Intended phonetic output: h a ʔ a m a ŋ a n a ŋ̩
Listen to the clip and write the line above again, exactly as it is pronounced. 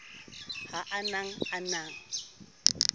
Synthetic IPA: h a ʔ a n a ŋ a n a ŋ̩